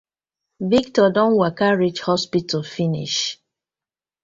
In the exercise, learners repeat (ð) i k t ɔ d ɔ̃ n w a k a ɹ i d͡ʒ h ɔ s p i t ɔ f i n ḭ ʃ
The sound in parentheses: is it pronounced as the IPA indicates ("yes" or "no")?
no